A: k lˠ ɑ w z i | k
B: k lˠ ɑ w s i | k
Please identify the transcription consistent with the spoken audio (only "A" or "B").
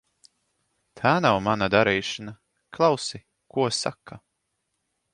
B